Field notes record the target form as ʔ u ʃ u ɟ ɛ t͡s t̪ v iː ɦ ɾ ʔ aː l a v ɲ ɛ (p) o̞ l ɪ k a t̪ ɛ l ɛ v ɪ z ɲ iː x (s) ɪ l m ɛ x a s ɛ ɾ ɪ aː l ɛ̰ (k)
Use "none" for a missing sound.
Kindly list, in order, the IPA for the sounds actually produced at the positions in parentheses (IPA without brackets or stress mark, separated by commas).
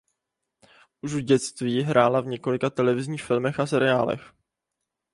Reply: k, f, x